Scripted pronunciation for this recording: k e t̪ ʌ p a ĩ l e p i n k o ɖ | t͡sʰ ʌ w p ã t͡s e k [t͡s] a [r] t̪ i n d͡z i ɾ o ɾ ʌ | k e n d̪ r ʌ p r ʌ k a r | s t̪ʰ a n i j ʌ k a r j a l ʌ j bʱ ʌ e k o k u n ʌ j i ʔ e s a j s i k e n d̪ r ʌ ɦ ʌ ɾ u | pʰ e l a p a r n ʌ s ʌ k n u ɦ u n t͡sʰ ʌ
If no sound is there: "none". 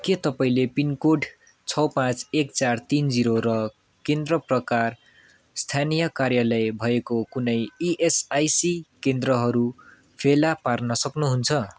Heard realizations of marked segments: t͡s, r

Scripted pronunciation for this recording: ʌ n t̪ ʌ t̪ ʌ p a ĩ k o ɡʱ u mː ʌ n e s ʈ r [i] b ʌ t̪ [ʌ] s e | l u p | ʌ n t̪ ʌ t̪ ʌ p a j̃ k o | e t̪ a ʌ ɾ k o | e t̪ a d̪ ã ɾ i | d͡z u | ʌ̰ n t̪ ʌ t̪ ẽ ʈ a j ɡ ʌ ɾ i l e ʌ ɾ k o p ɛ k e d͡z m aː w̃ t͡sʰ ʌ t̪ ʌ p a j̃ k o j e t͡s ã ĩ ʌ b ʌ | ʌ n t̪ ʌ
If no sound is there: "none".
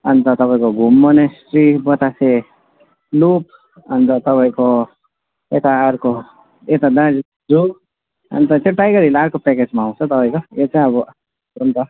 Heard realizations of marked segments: i, a

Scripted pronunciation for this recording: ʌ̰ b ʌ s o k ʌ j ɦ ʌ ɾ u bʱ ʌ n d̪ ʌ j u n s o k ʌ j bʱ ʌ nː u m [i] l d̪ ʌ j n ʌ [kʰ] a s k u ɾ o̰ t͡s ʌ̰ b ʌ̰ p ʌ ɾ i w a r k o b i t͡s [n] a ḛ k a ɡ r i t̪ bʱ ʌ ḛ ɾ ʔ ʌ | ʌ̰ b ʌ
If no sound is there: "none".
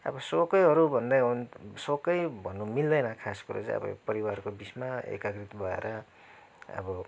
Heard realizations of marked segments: i, kʰ, m

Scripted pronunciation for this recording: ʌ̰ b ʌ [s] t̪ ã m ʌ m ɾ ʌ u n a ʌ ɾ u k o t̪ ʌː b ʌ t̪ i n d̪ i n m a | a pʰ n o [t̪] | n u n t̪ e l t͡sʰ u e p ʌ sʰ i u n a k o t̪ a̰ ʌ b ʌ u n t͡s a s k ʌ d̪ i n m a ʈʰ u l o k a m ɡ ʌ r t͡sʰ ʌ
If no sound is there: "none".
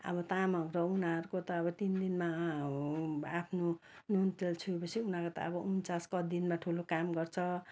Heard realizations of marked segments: none, none

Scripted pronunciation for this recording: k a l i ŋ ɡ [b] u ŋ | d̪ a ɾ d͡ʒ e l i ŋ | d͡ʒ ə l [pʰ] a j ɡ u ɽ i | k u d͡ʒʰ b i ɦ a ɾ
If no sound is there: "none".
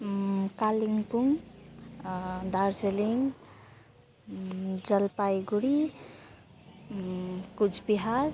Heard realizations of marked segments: p, p

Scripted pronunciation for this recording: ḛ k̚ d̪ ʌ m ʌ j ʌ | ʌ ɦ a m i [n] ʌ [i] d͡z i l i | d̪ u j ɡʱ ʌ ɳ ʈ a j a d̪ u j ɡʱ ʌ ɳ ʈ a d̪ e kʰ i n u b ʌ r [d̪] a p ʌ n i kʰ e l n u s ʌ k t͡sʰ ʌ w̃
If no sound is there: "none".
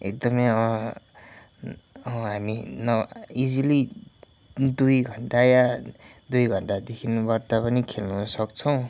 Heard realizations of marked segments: n, i, t̪

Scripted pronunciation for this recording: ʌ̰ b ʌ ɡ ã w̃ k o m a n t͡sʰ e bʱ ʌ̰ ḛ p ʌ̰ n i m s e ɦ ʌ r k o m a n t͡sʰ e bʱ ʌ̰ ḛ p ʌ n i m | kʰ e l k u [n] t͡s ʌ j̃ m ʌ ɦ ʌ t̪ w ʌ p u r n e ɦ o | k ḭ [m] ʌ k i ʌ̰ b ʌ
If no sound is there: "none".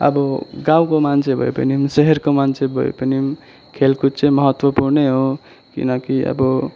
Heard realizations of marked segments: none, n

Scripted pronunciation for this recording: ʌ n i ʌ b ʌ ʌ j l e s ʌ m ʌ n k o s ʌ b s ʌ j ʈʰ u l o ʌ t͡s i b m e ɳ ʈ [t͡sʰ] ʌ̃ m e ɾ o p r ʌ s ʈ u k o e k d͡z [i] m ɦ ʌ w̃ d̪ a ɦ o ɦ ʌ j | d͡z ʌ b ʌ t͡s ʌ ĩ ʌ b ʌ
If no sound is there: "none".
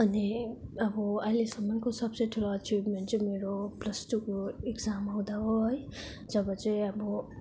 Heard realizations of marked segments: t͡s, a

